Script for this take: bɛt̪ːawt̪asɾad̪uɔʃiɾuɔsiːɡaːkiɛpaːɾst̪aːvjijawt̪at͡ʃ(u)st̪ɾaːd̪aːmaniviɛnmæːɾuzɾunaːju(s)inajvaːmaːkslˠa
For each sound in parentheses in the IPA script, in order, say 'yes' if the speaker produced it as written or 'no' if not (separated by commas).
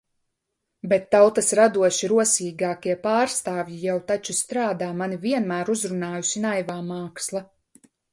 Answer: yes, yes